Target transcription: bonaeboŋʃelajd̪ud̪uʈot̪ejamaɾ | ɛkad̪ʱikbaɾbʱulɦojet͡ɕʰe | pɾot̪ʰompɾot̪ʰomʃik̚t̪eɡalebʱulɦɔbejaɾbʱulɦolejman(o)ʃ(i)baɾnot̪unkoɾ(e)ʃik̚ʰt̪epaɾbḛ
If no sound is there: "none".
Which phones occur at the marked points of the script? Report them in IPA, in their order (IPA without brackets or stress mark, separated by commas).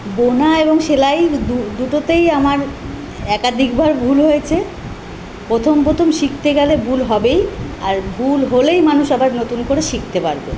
u, a, e